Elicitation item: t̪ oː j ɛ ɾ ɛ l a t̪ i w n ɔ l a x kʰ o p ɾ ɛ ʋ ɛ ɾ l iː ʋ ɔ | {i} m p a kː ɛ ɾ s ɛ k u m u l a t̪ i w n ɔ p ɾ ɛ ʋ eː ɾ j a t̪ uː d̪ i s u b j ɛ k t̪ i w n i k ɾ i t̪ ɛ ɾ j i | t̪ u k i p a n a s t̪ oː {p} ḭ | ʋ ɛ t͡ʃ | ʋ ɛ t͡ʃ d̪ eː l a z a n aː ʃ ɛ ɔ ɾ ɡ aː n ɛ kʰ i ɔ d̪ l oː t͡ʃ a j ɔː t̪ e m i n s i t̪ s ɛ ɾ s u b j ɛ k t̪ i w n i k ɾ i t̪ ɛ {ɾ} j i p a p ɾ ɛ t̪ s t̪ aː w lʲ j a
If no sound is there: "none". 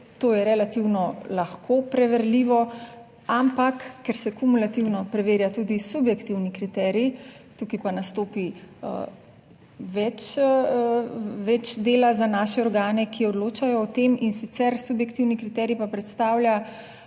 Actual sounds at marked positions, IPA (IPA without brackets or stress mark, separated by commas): a, p, ɾ